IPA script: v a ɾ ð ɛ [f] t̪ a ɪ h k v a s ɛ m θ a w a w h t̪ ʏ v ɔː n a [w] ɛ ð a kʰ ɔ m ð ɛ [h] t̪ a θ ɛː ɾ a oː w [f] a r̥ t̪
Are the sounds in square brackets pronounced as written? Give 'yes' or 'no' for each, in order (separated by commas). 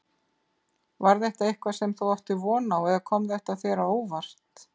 no, yes, yes, no